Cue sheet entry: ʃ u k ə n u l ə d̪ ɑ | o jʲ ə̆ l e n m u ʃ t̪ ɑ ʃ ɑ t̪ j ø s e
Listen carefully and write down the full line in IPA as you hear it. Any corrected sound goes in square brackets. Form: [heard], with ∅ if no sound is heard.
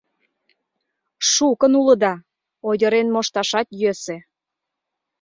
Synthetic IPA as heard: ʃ u k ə n u l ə d̪ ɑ | o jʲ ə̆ [ɾ] e n m [o] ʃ t̪ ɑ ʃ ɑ t̪ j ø s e